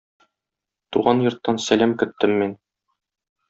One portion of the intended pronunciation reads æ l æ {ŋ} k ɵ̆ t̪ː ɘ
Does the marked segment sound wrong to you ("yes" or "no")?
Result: yes